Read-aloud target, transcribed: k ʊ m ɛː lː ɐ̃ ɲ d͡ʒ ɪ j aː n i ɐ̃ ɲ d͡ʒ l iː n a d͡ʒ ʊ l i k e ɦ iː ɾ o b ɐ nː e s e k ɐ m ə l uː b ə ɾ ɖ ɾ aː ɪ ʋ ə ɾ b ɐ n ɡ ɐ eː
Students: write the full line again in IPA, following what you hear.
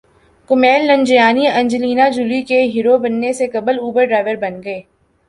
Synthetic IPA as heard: k ʊ m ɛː lː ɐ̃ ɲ d͡ʒ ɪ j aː n i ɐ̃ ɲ d͡ʒ l iː n a d͡ʒ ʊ l i k e ɦ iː ɾ o b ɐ nː e s e k ɐ b ə l uː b ə ɾ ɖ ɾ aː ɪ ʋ ə ɾ b ɐ n ɡ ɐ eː